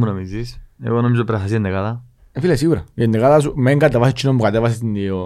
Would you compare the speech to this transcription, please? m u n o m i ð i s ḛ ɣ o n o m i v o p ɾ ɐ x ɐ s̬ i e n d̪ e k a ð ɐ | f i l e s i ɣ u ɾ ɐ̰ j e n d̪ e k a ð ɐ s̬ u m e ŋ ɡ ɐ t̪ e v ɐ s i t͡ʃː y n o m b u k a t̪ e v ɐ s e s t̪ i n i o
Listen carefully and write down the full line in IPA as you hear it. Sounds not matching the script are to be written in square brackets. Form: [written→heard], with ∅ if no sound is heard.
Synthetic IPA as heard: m u n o m i [ð→z] i s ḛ ɣ o n o m i [v→z] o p ɾ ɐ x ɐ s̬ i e n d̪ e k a ð ɐ | f i l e s i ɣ u ɾ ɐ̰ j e n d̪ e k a ð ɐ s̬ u m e ŋ ɡ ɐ t̪ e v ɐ s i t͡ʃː [y→i] n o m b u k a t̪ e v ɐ s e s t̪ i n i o